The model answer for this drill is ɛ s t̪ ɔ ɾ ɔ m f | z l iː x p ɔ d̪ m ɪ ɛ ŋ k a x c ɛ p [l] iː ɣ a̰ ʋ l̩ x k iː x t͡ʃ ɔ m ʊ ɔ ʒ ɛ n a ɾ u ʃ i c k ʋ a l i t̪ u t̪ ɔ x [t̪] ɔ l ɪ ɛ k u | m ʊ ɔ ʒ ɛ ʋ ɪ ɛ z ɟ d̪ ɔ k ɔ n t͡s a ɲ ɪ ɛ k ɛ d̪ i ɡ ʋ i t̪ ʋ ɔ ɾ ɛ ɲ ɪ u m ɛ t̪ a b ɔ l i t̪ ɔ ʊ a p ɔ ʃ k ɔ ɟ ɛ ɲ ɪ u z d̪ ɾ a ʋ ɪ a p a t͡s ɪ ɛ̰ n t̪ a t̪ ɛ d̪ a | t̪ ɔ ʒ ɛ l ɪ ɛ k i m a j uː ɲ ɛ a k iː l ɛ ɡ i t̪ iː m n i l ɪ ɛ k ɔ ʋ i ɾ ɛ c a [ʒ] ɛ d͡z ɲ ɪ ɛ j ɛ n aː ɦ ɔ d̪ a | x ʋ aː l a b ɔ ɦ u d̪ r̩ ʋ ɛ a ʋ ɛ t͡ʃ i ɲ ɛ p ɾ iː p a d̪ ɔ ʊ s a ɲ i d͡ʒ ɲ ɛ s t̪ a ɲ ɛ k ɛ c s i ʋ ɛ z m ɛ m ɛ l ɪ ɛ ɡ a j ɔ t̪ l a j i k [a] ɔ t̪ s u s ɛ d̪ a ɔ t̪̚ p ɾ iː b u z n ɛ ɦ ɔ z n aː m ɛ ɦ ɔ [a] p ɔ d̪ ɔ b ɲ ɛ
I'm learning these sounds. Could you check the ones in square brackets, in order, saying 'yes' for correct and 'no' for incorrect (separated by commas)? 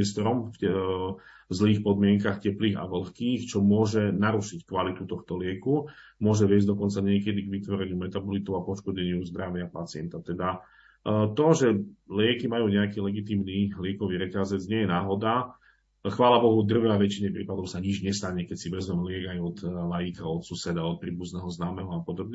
yes, yes, no, yes, yes